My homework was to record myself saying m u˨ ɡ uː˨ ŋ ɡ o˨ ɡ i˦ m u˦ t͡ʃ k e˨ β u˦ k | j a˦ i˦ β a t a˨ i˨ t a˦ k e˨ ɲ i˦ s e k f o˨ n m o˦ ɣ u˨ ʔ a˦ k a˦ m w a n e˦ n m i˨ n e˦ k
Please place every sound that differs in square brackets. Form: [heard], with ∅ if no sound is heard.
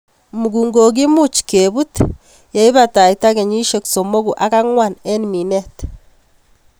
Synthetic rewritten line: m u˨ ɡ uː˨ ŋ ɡ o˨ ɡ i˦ m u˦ t͡ʃ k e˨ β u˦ [t] | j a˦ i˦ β a t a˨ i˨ t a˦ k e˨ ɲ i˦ [ʃ] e k [s] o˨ [∅] m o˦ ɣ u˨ ʔ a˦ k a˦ [ŋ] w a n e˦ n m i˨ n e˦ [t]